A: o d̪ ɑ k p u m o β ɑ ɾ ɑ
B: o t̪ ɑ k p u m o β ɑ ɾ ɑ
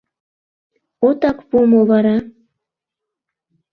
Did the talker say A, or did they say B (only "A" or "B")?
B